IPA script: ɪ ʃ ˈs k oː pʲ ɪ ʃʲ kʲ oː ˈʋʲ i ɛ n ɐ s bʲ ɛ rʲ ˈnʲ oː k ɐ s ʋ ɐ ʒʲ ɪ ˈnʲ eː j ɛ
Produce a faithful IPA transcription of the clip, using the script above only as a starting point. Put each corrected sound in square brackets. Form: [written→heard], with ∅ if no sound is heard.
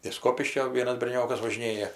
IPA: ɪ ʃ ˈs k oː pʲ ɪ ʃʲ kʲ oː ˈʋʲ i ɛ n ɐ s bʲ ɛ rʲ ˈnʲ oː k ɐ s ʋ ɐ ʒʲ ɪ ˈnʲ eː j ɛ

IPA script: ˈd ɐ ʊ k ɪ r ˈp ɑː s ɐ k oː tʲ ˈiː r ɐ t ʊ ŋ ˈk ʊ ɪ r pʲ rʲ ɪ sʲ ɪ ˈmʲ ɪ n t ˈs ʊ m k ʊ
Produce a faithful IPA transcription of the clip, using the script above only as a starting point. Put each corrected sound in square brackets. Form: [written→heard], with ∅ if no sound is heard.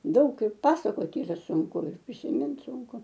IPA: ˈd ɐ ʊ k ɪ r ˈp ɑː s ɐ k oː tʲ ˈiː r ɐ [t→s] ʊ ŋ ˈk ʊ ɪ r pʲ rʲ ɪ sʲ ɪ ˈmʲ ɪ n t ˈs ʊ [m→ŋ] k ʊ

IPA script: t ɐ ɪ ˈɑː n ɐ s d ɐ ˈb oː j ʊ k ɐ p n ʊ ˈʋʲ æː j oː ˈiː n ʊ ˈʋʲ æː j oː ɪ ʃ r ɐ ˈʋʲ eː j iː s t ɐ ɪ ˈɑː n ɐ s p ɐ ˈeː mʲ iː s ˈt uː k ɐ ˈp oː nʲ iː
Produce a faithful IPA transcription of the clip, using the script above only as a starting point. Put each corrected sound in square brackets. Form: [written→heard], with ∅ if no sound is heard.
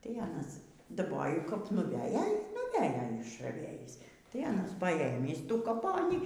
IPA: t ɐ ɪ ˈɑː n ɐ s d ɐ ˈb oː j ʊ k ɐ p n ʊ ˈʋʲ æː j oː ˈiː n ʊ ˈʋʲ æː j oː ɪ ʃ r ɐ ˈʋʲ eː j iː s t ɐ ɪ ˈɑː n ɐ s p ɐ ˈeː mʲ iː s ˈt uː k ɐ ˈp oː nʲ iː

